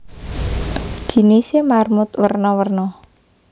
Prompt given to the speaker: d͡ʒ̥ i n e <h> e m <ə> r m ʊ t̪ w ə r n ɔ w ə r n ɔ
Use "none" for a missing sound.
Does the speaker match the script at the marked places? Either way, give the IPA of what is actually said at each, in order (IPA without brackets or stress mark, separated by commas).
s, a